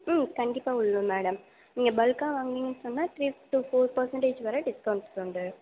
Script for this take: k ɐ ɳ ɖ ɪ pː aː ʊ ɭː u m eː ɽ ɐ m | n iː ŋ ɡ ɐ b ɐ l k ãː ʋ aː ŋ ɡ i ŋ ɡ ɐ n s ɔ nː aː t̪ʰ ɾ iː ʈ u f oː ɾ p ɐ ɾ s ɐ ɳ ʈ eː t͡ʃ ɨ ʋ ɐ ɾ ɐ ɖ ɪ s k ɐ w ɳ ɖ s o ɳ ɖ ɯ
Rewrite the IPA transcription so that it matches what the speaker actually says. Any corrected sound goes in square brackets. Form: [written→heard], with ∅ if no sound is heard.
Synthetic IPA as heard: k ɐ ɳ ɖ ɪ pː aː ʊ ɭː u m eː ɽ ɐ m | n iː ŋ ɡ ɐ b ɐ l k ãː ʋ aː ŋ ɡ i ŋ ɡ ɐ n s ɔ nː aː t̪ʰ ɾ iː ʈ u f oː ɾ p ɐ ɾ s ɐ ɳ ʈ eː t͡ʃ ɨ ʋ ɐ ɾ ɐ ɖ ɪ s k ɐ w ɳ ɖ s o ɳ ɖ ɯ